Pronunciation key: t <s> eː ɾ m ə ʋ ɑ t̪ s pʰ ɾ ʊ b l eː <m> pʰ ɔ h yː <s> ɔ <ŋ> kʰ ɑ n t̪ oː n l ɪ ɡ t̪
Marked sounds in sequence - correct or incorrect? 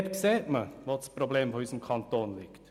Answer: correct, correct, correct, incorrect: m

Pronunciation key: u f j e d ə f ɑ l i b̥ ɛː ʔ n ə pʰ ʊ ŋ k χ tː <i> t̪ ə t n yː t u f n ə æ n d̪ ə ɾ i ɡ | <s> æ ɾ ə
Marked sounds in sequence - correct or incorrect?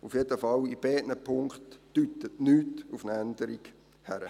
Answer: incorrect: y, incorrect: h

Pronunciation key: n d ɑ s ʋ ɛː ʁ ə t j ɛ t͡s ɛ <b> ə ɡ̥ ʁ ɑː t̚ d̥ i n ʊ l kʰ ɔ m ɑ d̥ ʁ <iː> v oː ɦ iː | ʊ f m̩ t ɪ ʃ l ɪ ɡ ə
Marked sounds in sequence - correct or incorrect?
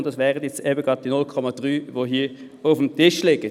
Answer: correct, incorrect: yː

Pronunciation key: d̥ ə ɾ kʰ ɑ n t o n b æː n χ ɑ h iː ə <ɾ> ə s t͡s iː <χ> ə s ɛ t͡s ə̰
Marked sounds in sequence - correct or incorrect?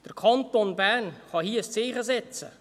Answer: incorrect: none, correct

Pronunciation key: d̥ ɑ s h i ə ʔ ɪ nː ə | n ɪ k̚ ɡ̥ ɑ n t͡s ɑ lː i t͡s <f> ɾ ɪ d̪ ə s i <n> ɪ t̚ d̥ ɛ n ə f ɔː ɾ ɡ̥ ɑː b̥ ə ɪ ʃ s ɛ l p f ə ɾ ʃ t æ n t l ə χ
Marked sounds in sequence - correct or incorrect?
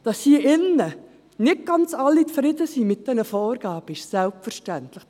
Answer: correct, incorrect: m

